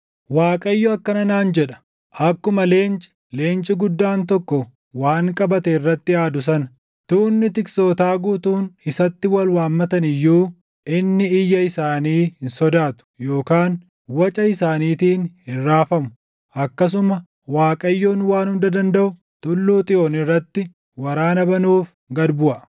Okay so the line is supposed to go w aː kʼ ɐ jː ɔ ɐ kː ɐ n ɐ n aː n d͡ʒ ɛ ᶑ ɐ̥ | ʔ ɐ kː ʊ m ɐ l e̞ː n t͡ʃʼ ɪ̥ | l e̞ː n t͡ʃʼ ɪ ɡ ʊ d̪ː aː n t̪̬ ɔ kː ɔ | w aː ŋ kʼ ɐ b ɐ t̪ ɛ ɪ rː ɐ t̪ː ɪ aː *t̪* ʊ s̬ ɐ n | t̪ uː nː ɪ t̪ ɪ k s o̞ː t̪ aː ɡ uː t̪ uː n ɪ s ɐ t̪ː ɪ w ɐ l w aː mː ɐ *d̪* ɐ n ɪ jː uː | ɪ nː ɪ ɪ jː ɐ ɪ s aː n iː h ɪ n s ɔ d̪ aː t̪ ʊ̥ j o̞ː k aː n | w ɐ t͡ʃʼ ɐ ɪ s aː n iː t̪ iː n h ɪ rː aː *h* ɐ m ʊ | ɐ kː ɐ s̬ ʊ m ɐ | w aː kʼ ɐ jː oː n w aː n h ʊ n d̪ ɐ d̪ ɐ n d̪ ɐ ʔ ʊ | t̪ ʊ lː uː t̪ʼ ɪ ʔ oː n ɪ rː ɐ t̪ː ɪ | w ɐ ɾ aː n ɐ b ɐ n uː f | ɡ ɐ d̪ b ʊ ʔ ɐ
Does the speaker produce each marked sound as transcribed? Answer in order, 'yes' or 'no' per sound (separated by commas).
no, no, no